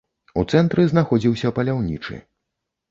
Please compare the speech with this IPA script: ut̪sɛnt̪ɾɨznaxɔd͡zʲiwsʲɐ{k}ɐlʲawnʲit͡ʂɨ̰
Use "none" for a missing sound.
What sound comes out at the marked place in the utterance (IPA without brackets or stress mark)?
p